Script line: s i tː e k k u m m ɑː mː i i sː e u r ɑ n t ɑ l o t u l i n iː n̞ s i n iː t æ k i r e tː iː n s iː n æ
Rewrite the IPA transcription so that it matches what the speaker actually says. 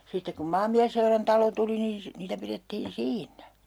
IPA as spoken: s i tː e k k u m m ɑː mː i æ sː e u r ɑ n t ɑ l o t u l i n iː n̞ s i n iː t æ p i r e tː iː n s iː nː æ